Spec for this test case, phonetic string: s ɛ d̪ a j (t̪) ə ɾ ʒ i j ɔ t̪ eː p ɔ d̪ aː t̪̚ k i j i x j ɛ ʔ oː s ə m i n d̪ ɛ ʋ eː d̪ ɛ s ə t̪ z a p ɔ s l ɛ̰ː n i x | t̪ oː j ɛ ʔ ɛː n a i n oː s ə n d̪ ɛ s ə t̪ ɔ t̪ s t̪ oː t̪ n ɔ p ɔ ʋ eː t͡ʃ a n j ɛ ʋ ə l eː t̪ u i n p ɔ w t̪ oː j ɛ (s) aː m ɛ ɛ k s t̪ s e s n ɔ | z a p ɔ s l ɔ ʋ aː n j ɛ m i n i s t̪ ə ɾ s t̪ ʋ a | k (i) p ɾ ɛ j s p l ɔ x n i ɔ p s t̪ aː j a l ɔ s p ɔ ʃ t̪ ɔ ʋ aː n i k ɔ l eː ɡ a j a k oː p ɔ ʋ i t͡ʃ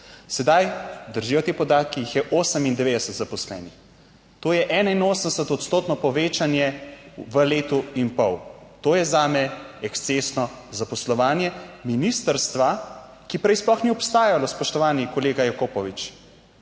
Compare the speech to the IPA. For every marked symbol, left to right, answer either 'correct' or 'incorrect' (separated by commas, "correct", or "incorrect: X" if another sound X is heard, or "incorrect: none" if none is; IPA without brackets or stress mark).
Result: incorrect: d̪, incorrect: z, correct